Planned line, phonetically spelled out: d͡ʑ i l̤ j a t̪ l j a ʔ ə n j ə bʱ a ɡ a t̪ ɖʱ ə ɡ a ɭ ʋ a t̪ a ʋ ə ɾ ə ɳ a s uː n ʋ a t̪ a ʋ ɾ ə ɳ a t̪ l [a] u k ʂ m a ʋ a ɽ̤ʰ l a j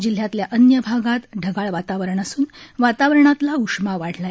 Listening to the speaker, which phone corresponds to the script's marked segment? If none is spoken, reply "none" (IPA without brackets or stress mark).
a